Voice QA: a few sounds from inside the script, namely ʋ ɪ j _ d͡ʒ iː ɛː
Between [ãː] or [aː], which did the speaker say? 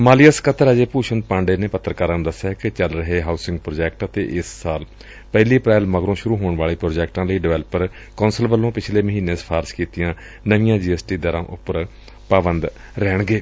ãː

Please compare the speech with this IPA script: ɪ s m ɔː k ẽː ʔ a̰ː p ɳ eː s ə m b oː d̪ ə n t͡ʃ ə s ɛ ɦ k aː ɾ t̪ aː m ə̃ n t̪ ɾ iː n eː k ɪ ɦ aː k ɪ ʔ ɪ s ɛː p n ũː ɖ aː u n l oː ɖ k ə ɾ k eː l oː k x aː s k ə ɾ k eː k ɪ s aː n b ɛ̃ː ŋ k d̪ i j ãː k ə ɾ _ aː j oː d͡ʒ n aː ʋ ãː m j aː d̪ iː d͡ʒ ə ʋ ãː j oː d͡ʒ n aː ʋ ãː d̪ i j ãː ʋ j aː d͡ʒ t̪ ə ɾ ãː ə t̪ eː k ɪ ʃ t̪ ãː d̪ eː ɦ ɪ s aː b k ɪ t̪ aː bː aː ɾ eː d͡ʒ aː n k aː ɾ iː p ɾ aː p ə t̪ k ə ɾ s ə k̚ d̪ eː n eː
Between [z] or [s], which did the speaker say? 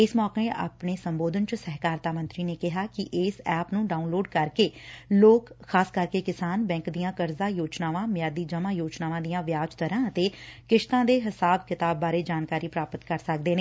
z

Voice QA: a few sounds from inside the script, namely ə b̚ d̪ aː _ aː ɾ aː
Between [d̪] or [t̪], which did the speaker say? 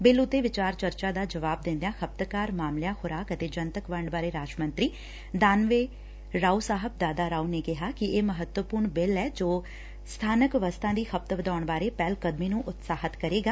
d̪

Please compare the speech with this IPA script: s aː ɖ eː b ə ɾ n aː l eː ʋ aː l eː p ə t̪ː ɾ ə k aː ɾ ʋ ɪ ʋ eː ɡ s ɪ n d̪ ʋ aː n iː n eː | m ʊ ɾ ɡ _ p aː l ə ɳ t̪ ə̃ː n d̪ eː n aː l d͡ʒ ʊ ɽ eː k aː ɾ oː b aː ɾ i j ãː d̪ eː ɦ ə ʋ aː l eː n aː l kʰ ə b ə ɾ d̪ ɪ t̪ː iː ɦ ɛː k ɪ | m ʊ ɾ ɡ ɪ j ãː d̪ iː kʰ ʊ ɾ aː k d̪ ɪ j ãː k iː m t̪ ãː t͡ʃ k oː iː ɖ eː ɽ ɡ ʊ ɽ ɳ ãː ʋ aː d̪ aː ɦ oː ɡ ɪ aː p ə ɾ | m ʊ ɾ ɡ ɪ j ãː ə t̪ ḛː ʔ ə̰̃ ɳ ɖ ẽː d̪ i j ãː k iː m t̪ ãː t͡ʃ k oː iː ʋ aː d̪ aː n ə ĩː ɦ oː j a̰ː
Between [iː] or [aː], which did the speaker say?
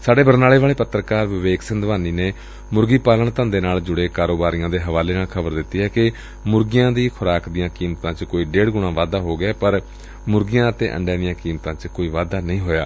iː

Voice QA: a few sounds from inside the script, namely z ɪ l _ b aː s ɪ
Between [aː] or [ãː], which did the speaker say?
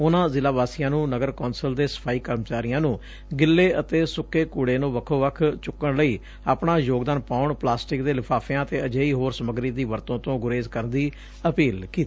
aː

